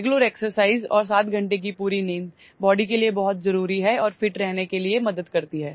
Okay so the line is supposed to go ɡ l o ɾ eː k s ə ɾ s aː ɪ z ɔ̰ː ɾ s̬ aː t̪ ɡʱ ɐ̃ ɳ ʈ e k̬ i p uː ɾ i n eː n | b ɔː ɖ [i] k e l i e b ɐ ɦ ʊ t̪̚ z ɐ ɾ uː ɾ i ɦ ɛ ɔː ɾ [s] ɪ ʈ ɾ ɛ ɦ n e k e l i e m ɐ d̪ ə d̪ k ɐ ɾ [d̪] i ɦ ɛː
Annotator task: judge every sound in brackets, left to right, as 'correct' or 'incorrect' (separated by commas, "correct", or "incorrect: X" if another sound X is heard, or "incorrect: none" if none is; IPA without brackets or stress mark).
correct, incorrect: f, incorrect: t̪